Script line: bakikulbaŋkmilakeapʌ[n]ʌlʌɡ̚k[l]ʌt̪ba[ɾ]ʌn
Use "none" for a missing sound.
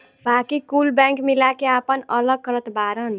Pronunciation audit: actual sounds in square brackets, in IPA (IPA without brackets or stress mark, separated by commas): n, ɾ, ɾ